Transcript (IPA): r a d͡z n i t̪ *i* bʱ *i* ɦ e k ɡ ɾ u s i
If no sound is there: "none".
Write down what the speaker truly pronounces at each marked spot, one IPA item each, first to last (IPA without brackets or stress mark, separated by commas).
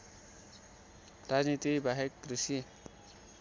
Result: i, a